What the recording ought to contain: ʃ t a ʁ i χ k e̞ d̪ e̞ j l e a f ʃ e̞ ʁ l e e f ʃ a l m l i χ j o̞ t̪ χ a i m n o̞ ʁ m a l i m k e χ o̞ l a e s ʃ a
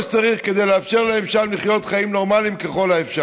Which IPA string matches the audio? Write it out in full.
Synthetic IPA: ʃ t͡s a ʁ i χ k e̞ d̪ e̞ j l e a f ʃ e̞ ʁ l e e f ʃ a l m l i χ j o̞ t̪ χ a i m n o̞ ʁ m a l i m k e χ o̞ l a e f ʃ a